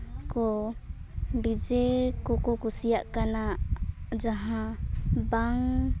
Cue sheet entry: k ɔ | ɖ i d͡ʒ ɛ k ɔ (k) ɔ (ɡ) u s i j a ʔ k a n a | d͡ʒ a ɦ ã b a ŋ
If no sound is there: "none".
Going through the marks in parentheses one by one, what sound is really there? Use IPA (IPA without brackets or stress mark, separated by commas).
k, k